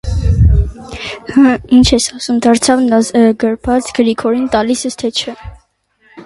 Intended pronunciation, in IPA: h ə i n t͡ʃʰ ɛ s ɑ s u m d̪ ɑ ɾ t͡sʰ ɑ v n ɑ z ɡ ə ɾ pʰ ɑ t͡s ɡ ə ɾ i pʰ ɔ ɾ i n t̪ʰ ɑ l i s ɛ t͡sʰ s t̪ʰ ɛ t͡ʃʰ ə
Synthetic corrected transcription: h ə i n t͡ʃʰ ɛ s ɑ s u m d̪ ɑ ɾ t͡sʰ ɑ v n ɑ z ɡ ə ɾ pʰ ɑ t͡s ɡ ə ɾ i kʰ ɔ ɾ i n t̪ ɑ l i s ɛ s t̪ʰ ɛ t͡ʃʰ ə